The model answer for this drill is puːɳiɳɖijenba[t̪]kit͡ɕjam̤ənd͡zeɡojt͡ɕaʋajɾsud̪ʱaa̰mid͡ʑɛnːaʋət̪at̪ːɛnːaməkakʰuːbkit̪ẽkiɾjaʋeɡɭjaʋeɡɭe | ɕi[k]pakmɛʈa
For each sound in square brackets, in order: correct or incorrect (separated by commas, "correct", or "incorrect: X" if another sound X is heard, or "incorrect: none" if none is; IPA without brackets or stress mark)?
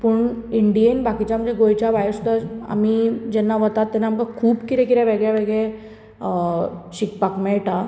incorrect: none, correct